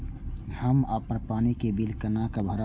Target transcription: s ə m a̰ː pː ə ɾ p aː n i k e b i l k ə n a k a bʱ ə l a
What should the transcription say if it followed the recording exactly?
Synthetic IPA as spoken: h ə m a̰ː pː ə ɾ p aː n i k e b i l k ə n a k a bʱ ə ɾ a